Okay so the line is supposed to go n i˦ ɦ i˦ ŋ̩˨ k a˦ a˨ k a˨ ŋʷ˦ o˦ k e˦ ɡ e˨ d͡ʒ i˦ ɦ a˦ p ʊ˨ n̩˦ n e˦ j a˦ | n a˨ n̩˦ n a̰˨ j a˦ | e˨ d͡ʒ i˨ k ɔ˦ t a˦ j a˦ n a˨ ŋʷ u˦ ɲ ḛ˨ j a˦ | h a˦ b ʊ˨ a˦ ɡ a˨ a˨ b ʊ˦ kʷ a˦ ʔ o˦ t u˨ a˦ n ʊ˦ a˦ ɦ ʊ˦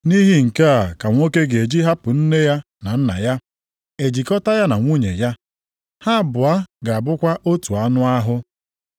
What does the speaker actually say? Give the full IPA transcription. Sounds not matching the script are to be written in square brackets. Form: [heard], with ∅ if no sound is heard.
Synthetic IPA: n i˦ ɦ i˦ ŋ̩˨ k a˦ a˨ k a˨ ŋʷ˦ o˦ k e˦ ɡ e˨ d͡ʒ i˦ ɦ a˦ p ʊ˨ n̩˦ n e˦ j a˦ | n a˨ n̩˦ n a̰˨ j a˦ | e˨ d͡ʒ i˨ k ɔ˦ t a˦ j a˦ n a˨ ŋʷ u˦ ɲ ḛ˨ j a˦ | h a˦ b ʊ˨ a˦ ɡ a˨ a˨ b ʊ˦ kʷ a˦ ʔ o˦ t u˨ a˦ n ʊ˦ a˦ ɦ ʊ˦

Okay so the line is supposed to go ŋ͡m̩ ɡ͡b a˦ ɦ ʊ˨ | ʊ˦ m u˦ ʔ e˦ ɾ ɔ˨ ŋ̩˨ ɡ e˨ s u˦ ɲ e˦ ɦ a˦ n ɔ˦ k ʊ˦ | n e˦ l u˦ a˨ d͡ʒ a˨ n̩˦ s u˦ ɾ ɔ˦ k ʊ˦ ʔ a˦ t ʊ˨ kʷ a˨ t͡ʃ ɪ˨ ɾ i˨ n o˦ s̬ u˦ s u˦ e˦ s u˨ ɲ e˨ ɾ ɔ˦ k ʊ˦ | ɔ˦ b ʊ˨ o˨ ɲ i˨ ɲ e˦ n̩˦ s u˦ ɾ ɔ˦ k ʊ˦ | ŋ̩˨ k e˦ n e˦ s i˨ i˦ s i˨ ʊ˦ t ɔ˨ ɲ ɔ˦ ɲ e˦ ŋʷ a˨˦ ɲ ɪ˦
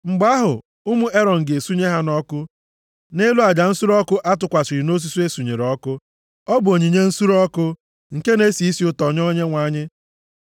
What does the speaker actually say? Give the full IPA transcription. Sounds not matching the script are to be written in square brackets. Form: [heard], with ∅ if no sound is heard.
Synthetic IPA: ŋ͡m̩ ɡ͡b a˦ ɦ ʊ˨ | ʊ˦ m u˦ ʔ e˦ ɾ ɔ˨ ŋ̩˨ ɡ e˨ s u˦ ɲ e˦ ɦ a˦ n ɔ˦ k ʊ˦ | n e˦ l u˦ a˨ d͡ʒ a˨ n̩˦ s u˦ ɾ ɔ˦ k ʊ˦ ʔ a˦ t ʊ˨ kʷ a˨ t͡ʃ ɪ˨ ɾ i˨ n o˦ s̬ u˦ s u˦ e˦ s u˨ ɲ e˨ ɾ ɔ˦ k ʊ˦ | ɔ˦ b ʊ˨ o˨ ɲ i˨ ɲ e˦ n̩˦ s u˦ ɾ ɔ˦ k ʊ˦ | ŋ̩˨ k e˦ n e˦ s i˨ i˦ s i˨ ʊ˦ t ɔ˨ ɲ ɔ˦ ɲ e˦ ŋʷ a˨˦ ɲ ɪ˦

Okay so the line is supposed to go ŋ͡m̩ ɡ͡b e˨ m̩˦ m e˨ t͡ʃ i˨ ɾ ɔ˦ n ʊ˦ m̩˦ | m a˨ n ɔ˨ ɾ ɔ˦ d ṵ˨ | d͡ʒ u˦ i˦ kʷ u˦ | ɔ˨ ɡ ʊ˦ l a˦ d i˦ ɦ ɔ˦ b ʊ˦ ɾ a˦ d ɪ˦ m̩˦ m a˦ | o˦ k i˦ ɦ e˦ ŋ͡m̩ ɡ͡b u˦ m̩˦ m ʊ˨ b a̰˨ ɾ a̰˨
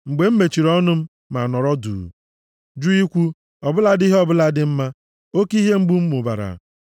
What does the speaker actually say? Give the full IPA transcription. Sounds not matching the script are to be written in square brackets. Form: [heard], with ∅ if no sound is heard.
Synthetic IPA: ŋ͡m̩ ɡ͡b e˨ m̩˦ m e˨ t͡ʃ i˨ ɾ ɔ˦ n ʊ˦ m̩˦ | m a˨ n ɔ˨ ɾ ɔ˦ d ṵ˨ | d͡ʒ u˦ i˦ kʷ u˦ | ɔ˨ [b] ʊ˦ l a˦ d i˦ ɦ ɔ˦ b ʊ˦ [l] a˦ d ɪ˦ m̩˦ m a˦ | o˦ k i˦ ɦ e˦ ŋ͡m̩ ɡ͡b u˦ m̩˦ m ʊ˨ b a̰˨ ɾ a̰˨

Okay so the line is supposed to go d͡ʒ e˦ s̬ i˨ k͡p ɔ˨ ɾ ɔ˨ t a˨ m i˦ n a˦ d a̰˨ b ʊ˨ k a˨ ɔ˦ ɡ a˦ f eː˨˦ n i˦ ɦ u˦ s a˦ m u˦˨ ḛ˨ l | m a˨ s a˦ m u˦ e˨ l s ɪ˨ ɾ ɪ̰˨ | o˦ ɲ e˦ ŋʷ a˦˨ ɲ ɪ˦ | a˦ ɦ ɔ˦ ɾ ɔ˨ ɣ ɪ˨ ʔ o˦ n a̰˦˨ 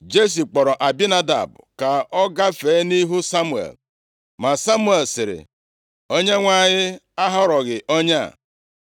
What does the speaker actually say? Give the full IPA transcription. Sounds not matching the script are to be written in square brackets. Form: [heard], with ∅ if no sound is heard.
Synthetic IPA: d͡ʒ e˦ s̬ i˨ k͡p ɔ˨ ɾ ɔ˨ [ʔ] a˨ [b] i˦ n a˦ d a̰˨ b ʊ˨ k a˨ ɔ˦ ɡ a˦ f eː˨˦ n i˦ ɦ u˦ s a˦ m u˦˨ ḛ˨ l | m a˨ s a˦ m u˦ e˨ l s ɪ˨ ɾ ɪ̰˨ | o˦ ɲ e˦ ŋʷ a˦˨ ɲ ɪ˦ | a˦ ɦ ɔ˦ ɾ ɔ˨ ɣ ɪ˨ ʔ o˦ [ɲ] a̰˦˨

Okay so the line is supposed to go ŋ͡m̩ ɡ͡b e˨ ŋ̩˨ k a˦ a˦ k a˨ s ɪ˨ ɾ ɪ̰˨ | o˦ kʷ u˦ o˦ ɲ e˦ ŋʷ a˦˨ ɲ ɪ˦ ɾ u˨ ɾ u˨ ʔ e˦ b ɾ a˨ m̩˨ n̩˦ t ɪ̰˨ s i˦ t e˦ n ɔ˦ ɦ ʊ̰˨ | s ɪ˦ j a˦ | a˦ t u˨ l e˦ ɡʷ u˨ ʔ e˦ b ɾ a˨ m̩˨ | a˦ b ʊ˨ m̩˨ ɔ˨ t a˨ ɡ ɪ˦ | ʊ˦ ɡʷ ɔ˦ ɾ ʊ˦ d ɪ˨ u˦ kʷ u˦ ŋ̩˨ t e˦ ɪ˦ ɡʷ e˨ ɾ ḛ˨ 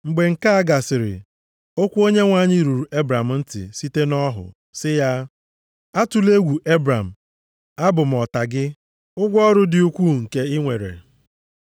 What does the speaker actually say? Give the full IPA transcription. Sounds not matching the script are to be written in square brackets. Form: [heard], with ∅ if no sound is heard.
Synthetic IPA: ŋ͡m̩ ɡ͡b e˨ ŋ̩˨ k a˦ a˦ [ɡ] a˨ s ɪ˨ ɾ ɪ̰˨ | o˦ kʷ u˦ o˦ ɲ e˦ ŋʷ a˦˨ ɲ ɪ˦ ɾ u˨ ɾ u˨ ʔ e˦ b ɾ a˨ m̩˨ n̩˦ t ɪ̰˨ s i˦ t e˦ n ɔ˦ ɦ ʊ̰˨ | s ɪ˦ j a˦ | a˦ t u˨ l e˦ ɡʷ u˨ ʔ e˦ b ɾ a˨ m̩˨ | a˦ b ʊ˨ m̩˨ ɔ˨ t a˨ ɡ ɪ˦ | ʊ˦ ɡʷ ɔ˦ ɾ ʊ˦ d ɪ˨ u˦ kʷ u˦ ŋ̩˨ [k] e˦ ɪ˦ [ŋʷ] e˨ ɾ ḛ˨

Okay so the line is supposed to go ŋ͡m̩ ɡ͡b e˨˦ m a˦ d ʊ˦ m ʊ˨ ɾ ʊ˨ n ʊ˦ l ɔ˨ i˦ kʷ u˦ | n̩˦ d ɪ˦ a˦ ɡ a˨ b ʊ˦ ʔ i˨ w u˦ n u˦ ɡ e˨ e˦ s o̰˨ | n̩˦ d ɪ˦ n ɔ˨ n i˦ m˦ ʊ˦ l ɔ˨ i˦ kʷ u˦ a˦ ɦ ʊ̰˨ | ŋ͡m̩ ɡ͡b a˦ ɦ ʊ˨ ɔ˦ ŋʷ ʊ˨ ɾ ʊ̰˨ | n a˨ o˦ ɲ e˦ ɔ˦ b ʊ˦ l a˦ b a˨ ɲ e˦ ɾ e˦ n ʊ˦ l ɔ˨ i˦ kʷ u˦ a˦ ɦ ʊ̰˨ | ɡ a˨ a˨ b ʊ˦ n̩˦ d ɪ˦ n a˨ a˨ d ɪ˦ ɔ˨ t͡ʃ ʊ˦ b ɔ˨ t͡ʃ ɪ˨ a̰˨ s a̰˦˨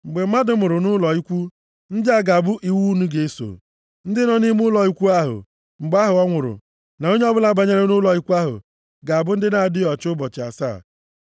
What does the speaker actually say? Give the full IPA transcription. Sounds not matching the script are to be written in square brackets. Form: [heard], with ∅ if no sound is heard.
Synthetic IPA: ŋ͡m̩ ɡ͡b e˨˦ m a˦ d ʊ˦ m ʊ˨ ɾ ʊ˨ n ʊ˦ l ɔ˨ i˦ kʷ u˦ | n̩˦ d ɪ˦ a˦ ɡ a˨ b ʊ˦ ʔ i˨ w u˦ n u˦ ɡ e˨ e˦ s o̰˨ | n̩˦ d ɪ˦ n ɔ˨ n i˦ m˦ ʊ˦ l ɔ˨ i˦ kʷ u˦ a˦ ɦ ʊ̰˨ | ŋ͡m̩ ɡ͡b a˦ ɦ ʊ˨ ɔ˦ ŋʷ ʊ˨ ɾ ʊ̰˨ | n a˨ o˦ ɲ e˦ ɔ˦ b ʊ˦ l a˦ b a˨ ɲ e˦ ɾ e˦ n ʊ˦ l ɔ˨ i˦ kʷ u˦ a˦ ɦ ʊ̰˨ | ɡ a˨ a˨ b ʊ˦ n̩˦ d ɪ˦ n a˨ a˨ d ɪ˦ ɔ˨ t͡ʃ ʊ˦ b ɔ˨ t͡ʃ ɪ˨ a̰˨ s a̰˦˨

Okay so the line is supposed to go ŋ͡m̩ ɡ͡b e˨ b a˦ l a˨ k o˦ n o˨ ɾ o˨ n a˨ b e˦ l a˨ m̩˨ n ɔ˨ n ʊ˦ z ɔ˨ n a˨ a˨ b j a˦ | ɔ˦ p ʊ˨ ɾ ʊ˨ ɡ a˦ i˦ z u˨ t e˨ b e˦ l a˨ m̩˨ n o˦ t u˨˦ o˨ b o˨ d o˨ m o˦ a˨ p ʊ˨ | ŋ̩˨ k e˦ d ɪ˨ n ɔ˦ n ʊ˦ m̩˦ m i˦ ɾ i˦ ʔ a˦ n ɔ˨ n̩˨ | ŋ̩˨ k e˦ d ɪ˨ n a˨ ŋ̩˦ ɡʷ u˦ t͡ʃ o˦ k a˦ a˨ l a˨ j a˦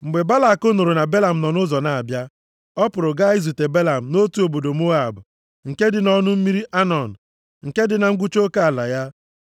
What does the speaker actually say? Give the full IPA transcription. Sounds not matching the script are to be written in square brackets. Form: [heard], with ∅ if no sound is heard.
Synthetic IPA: ŋ͡m̩ ɡ͡b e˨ b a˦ l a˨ k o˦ n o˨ ɾ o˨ n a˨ b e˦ l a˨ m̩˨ n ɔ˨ n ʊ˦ z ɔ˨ n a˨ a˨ b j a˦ | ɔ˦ p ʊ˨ ɾ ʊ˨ ɡ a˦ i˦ z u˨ t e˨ b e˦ l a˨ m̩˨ n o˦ t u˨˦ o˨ b o˨ d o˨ m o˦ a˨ [b] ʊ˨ | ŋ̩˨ k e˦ d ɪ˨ n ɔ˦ n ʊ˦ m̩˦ m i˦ ɾ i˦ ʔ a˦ n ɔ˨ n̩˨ | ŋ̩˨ k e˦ d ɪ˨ n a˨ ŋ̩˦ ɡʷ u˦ t͡ʃ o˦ k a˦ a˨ l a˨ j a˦

